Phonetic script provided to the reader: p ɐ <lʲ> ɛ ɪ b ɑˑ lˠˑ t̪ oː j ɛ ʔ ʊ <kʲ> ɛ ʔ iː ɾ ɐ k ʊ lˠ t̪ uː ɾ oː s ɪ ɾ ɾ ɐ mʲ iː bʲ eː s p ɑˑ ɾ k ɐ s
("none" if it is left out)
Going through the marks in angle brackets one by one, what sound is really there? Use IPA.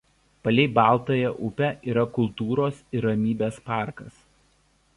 lʲ, pʲ

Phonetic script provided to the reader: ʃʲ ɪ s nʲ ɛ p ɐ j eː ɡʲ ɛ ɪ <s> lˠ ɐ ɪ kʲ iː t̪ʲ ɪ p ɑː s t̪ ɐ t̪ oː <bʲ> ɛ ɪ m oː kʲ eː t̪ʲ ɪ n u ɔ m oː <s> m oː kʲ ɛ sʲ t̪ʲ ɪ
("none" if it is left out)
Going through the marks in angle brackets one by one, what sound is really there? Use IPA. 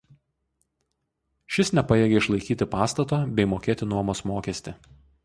ʃ, bʲ, s

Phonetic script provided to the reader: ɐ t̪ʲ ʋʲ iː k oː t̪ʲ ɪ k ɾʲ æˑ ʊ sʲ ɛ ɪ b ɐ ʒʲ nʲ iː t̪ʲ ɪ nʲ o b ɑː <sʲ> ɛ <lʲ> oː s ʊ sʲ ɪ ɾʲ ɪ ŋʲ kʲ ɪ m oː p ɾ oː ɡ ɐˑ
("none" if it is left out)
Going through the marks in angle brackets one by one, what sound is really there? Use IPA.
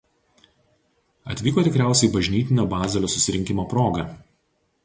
zʲ, lʲ

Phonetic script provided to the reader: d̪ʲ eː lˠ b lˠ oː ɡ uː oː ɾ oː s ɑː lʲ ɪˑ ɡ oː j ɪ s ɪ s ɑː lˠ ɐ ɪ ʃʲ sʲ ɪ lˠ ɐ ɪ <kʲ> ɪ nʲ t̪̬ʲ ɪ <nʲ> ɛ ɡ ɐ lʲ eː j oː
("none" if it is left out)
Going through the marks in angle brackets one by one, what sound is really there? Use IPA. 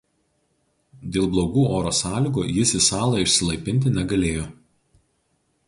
pʲ, nʲ

